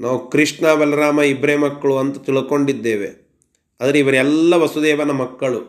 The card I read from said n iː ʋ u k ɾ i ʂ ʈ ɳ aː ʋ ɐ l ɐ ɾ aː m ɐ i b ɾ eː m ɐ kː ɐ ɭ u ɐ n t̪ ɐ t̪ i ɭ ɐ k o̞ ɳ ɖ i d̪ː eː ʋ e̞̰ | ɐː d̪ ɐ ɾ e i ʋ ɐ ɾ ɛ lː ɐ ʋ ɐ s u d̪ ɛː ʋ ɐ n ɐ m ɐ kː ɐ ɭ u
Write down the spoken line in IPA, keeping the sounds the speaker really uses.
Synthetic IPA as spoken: n aː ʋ u k ɾ i ʂ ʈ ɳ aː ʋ ɐ l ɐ ɾ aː m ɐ i b ɾ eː m ɐ kː ɐ ɭ u ɐ n t̪ ɐ t̪ i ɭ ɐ k o̞ ɳ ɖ i d̪ː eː ʋ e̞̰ | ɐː d̪ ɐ ɾ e i ʋ ɐ ɾ ɛ lː ɐ ʋ ɐ s u d̪ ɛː ʋ ɐ n ɐ m ɐ kː ɐ ɭ u